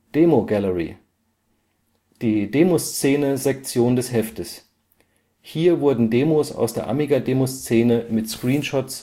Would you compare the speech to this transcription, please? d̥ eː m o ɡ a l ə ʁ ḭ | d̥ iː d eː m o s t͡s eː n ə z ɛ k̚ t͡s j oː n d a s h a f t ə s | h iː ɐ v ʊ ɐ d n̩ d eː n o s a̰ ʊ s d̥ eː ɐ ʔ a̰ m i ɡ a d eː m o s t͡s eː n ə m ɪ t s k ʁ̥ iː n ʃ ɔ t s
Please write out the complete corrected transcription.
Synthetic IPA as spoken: d̥ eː m o ɡ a l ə ʁ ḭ | d̥ iː d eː m o s t͡s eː n ə z ɛ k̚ t͡s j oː n d ɛ s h ɛ f t ə s | h iː ɐ v ʊ ɐ d n̩ d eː m o s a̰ ʊ s d̥ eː ɐ ʔ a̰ m i ɡ a d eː m o s t͡s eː n ə m ɪ t s k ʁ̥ iː n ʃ ɔ t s